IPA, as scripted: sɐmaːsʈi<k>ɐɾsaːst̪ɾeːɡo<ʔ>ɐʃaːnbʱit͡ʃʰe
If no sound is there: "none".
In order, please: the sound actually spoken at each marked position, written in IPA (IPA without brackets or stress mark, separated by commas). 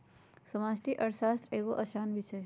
ʔ, ʔ